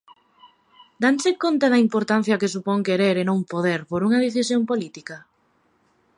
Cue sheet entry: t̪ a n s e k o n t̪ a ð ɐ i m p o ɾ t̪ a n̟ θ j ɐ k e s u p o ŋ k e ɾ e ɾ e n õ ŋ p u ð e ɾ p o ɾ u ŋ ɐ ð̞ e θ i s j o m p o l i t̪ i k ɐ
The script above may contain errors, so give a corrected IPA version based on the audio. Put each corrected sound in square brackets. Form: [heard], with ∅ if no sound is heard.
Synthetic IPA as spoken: [d̪] a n s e k o n t̪ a ð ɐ i m p o ɾ t̪ a n̟ θ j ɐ k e s u p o ŋ k e ɾ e ɾ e n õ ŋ p [o] ð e ɾ p o ɾ u ŋ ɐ ð̞ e θ i s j o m p o l i t̪ i k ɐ